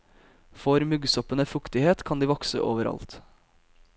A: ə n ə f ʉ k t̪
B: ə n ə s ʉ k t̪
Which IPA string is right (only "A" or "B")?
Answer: A